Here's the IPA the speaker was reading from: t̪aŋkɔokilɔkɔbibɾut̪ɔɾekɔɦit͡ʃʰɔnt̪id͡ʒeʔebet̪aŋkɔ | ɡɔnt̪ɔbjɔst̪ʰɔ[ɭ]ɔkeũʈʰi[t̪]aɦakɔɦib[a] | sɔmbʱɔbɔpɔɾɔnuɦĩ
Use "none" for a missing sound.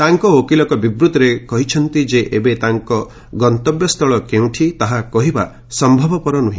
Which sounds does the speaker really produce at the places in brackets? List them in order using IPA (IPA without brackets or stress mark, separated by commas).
ɭ, t̪, a